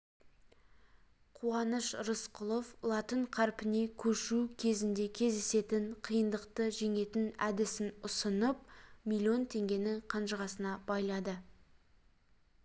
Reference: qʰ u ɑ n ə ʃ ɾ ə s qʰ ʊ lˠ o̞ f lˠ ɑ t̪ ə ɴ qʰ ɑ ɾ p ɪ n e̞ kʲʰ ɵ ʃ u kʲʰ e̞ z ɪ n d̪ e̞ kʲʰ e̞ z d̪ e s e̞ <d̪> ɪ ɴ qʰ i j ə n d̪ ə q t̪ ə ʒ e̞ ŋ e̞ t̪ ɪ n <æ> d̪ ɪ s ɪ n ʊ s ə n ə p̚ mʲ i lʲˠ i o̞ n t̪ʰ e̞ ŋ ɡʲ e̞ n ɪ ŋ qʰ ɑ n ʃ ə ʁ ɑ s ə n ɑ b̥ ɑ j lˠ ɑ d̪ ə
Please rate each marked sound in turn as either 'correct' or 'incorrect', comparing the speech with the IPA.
incorrect: t̪, correct

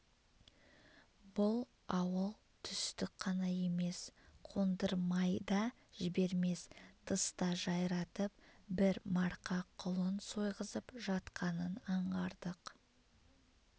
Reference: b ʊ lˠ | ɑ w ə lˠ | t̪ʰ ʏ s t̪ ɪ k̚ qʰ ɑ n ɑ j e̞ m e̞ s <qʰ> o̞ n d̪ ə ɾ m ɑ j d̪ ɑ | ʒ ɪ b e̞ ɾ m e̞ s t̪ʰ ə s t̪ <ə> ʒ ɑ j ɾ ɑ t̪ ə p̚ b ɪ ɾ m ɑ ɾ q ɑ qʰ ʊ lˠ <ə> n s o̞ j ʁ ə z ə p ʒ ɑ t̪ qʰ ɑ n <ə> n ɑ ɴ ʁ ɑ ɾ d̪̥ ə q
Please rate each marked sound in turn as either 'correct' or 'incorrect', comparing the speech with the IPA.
correct, incorrect: ɑ, correct, correct

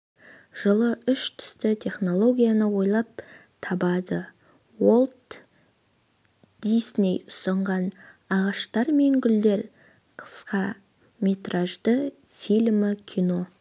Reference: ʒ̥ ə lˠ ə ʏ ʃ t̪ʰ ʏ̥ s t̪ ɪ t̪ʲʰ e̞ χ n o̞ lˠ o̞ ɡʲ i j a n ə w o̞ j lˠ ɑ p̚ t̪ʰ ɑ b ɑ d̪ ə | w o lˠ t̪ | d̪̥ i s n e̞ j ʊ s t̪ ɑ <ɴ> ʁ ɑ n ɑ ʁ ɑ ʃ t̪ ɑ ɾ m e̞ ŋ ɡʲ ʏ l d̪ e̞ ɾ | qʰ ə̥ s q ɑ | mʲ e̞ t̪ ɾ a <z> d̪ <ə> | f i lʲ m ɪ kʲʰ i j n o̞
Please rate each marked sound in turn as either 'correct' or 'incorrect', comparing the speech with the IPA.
correct, incorrect: ʒ, correct

